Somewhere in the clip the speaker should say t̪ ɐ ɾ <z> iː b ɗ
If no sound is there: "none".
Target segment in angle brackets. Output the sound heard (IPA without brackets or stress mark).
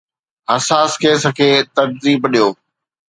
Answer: z